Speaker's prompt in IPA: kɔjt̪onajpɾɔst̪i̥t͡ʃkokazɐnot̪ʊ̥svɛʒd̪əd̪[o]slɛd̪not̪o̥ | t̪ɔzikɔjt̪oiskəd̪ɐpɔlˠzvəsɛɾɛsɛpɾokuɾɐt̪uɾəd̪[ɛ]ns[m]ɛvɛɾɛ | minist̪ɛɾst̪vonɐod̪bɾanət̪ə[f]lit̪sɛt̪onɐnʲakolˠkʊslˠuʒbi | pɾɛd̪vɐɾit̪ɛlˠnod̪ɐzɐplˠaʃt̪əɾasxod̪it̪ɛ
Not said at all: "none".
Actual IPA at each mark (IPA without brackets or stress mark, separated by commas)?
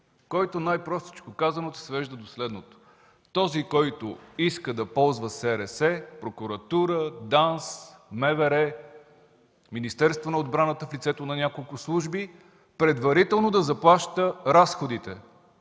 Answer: o, a, m, f